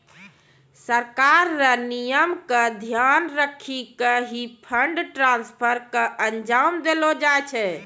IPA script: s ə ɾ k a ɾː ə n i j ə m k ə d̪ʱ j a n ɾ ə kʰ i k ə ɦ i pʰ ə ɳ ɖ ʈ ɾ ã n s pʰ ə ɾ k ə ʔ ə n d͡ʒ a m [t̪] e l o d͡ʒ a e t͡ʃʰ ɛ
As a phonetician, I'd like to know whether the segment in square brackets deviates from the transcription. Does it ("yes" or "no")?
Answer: yes